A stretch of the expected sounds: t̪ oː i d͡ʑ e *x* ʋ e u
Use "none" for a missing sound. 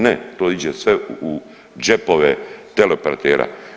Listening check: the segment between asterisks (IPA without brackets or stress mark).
s